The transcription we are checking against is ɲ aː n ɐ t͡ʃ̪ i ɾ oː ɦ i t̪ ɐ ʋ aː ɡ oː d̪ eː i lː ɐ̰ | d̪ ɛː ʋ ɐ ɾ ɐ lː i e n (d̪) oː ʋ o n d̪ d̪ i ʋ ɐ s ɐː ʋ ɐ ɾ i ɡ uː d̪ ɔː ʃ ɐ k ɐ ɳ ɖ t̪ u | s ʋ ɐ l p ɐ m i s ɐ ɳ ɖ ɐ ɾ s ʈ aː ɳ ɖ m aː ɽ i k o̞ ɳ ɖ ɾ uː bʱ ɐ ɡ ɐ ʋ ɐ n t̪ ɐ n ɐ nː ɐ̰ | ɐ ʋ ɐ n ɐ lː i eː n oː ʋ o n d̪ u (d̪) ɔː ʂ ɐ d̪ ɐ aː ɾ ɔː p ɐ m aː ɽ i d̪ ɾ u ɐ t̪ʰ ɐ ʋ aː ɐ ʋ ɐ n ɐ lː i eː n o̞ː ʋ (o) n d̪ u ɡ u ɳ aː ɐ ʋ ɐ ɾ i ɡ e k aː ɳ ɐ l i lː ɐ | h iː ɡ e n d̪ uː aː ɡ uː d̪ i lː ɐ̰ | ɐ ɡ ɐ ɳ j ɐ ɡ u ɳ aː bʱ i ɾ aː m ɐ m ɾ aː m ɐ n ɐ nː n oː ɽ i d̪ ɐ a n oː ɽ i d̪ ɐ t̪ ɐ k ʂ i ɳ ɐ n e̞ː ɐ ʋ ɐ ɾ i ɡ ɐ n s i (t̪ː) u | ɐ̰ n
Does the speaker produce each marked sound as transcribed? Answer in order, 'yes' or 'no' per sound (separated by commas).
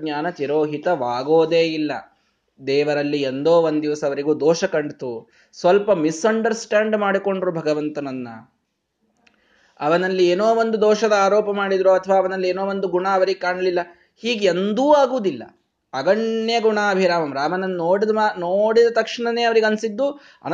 yes, yes, yes, no